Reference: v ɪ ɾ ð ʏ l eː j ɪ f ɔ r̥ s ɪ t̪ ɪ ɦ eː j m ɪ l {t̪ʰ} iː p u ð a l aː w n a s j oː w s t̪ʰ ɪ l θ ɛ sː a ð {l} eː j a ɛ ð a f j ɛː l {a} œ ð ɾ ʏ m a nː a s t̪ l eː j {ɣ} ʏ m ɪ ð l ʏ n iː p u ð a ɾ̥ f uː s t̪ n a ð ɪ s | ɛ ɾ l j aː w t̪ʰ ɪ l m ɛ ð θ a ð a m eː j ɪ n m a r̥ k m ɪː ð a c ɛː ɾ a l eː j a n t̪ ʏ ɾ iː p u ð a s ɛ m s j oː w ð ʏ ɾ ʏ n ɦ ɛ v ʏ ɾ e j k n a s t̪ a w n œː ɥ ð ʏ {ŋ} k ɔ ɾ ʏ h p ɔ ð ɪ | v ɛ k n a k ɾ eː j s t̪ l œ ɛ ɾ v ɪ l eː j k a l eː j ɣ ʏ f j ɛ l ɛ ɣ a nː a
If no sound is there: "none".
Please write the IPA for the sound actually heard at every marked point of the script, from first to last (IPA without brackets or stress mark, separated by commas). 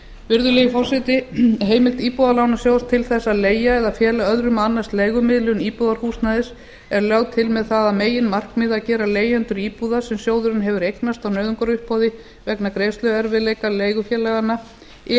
t̪, l, a, ɣ, ŋ